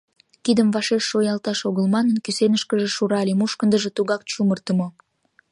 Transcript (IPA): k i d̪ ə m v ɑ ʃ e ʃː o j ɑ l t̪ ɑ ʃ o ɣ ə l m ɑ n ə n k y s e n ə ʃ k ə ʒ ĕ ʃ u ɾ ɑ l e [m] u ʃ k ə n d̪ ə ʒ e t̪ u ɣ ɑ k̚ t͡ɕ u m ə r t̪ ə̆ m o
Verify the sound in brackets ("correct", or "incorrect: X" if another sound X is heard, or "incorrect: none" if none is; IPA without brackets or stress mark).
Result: correct